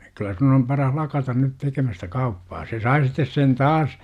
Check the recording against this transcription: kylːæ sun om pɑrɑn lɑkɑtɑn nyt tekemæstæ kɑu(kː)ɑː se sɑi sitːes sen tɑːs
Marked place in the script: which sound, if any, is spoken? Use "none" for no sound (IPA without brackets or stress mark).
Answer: pː